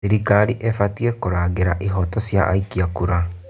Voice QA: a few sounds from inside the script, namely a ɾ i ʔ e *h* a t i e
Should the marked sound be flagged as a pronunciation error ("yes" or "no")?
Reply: yes